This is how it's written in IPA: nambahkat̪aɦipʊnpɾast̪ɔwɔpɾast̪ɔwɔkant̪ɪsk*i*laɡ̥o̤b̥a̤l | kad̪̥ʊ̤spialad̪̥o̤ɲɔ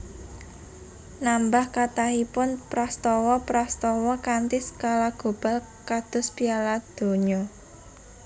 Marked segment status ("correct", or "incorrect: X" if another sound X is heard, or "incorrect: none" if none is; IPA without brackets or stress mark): incorrect: a